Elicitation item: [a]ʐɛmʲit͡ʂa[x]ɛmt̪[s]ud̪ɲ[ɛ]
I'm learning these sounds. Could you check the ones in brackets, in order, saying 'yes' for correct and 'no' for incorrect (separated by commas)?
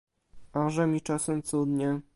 yes, no, yes, yes